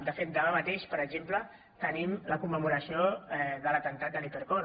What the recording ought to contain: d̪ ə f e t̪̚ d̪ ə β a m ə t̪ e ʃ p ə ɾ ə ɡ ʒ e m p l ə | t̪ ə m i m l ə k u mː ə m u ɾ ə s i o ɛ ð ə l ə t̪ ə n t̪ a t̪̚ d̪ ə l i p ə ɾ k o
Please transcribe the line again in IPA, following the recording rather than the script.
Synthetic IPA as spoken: d̪ ə f e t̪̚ d̪ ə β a m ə t̪ e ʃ p ə ɾ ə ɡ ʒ e m p l ə | t̪ ə n i m l ə k u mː ə m u ɾ ə s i o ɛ ð ə l ə t̪ ə n t̪ a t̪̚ d̪ ə l i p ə ɾ k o